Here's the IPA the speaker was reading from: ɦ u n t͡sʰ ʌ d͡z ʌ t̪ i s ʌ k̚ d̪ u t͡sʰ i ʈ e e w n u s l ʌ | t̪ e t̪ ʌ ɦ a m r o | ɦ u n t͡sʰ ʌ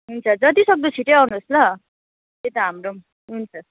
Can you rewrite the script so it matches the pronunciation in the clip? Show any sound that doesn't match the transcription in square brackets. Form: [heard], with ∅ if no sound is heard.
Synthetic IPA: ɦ u n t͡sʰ ʌ d͡z ʌ t̪ i s ʌ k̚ d̪ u t͡sʰ i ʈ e [a] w n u s l ʌ | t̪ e t̪ ʌ ɦ a m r o | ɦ u n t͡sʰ ʌ